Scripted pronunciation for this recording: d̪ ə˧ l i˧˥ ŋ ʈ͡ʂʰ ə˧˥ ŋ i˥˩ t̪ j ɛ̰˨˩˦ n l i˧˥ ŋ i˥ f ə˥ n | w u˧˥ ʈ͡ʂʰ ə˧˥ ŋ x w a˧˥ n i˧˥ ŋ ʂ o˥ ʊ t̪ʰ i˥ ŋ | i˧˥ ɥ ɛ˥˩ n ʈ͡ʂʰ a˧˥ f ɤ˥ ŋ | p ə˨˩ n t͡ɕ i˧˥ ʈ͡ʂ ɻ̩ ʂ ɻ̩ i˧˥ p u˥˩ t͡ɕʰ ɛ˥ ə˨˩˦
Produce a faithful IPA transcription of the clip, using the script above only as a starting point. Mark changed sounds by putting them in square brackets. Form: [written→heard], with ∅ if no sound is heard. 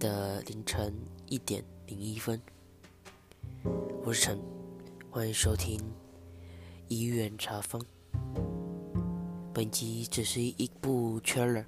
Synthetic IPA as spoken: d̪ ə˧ l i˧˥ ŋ ʈ͡ʂʰ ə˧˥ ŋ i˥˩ t̪ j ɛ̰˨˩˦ n l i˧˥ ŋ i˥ f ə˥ n | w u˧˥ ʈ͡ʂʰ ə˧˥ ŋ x w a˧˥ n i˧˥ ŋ ʂ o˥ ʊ t̪ʰ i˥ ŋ | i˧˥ ɥ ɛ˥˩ n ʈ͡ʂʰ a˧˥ f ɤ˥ ŋ | p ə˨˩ n t͡ɕ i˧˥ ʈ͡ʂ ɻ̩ ʂ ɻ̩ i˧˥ p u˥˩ t͡ɕʰ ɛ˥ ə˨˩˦